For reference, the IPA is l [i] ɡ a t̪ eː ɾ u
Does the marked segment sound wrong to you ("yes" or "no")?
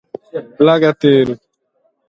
yes